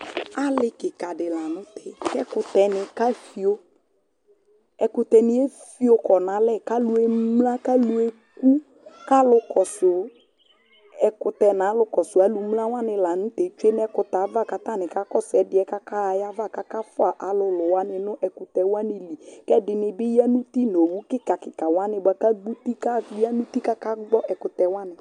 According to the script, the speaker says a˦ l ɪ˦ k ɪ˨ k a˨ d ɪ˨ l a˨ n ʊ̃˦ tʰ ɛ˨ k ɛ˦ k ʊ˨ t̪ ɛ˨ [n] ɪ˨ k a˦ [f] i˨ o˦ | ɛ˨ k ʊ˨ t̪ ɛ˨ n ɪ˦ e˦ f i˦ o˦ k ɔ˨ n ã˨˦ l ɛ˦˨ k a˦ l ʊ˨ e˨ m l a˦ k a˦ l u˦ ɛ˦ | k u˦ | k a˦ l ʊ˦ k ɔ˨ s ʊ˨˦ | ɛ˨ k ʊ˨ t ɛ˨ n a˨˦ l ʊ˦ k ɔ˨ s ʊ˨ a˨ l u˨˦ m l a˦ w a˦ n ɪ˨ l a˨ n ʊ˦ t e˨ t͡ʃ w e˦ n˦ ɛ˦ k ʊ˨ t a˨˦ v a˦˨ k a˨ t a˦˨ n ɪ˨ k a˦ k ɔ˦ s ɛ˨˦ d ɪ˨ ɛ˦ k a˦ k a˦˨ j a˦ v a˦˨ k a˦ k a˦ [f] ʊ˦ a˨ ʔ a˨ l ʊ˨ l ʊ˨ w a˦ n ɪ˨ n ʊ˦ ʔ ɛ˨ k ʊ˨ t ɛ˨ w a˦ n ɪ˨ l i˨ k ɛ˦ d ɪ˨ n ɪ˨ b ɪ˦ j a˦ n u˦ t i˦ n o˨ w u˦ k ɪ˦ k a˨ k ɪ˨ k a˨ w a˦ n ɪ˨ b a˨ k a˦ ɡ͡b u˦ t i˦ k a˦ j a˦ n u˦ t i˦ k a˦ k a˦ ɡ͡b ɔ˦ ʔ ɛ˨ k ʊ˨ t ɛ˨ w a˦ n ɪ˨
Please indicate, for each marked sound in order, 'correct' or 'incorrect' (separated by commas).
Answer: correct, correct, correct